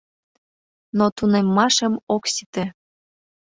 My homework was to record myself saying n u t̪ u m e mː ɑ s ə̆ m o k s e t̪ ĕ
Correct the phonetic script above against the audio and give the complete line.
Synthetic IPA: n o t̪ u n e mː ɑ ʃ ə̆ m o k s i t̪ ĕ